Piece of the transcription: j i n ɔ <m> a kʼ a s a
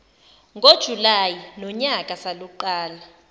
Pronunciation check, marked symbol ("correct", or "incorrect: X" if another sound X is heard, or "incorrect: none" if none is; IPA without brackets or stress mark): incorrect: ɲ